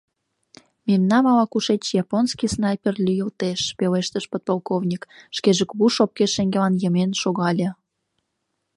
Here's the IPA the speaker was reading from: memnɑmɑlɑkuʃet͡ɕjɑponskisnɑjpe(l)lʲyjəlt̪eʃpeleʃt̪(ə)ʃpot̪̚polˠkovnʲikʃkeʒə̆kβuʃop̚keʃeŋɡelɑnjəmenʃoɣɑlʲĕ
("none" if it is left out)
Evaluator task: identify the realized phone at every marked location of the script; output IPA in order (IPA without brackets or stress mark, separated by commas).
r, ə